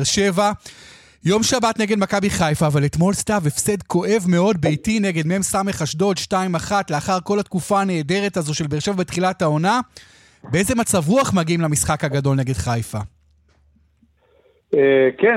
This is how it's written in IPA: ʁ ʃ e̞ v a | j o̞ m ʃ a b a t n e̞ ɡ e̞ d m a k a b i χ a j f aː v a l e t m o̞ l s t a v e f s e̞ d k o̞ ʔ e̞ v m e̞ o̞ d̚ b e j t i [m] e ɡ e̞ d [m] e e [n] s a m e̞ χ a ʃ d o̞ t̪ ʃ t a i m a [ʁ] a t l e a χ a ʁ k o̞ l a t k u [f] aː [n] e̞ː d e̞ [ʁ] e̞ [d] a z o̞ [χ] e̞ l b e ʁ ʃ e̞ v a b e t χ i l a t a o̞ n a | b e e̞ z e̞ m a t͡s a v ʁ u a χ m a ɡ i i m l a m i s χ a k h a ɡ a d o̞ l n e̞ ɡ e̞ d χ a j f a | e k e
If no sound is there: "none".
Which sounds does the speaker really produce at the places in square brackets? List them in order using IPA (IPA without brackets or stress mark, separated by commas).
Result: n, m, m, χ, f, n, ʁ, t, ʃ